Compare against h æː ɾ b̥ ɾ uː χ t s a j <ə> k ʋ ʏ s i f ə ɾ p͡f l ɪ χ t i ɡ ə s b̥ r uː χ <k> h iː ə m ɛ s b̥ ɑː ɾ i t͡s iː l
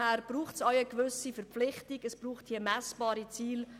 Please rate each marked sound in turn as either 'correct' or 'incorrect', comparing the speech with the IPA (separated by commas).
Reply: correct, incorrect